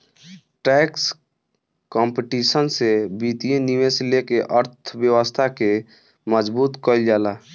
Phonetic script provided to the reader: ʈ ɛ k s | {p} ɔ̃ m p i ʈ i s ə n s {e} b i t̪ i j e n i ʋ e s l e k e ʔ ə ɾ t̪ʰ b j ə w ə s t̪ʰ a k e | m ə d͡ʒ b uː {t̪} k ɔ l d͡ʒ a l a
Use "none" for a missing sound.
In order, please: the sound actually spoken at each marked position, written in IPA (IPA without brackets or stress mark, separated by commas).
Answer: k, e, t̪